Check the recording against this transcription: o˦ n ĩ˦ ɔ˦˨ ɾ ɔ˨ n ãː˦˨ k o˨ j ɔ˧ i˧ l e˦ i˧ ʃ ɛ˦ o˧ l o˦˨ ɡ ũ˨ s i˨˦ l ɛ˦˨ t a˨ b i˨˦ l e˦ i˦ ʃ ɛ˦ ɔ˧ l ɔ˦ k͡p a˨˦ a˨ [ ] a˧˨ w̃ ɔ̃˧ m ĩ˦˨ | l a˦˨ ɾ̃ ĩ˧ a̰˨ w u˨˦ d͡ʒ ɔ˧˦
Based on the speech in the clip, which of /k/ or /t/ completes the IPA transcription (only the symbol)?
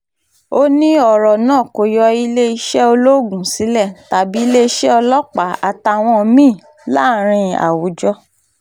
t